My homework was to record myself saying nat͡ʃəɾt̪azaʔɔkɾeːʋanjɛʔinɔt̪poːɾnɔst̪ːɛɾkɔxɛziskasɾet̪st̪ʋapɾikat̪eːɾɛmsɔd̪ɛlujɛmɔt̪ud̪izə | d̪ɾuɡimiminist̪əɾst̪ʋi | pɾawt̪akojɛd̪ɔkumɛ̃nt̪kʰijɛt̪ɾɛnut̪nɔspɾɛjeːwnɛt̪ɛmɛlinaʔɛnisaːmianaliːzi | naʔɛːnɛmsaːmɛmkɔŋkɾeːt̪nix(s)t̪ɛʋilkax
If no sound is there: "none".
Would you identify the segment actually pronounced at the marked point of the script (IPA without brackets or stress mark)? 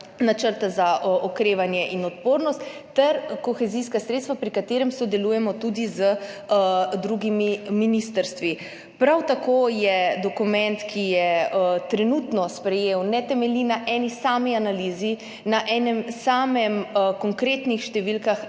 ʃ